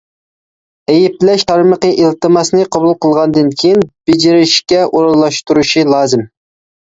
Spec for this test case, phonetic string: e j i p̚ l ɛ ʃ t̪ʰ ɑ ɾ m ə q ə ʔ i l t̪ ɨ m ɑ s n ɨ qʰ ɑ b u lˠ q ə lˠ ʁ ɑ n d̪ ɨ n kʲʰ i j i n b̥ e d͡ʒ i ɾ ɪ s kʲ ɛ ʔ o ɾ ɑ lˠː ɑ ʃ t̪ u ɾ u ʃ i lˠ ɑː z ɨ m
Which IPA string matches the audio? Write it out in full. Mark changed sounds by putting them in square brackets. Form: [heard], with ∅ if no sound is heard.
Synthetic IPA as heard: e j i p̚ l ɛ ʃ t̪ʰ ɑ ɾ m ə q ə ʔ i l t̪ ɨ m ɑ s n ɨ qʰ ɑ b u lˠ q ə lˠ ʁ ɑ n d̪ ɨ n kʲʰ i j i n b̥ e d͡ʒ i ɾ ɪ [ʃ] kʲ ɛ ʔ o ɾ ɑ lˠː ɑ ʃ t̪ u ɾ u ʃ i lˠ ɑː z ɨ m